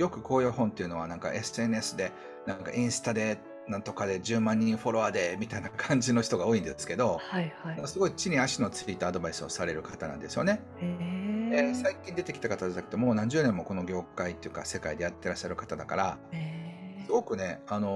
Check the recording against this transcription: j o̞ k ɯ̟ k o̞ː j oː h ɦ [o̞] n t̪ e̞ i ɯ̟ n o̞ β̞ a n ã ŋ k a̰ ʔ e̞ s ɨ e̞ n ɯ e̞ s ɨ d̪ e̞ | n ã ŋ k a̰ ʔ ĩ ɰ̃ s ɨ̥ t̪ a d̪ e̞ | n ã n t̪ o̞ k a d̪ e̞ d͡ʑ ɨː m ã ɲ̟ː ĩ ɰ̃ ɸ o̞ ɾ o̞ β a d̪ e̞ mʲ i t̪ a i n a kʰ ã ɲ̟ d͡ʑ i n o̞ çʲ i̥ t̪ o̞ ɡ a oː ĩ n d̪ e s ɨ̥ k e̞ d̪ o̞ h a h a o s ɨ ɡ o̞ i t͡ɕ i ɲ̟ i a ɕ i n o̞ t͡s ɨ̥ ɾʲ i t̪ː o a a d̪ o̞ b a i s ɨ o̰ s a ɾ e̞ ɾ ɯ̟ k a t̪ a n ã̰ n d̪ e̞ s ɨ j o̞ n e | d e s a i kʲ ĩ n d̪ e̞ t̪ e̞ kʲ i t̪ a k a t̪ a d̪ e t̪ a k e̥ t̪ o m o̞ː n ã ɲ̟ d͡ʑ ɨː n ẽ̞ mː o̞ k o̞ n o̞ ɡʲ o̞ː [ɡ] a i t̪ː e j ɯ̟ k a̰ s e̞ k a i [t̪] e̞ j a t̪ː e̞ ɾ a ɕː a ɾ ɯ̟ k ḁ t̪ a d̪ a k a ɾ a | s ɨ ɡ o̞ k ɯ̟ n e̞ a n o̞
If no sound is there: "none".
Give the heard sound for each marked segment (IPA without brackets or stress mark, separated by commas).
õ̞, k, d̪